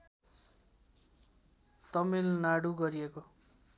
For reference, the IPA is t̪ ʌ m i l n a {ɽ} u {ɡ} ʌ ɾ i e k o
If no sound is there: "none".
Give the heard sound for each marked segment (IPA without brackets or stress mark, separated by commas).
ɽ, ɡ